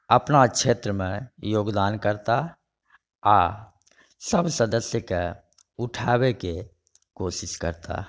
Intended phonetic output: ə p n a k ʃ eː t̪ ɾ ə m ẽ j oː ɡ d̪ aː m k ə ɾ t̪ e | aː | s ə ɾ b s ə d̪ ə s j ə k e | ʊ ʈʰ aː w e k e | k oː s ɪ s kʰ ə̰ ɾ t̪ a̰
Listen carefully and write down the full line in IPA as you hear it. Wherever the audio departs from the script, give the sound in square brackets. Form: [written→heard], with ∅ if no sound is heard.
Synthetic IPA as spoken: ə p n a k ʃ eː t̪ ɾ ə m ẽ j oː ɡ d̪ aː [m→n] k ə ɾ t̪ [e→a] | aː | s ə [ɾ→∅] b s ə d̪ ə s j ə k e | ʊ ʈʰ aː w e k e | k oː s ɪ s [kʰ→k] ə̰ ɾ t̪ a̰